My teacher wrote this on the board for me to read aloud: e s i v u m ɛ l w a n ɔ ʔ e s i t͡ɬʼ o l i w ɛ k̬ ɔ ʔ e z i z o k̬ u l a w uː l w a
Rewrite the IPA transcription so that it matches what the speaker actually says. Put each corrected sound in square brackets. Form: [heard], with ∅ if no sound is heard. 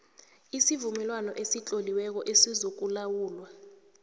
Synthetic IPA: [i] s i v u m ɛ l w a n ɔ ʔ e s i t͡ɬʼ o l i w ɛ k̬ ɔ ʔ e [s] i z o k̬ u l a w uː l w a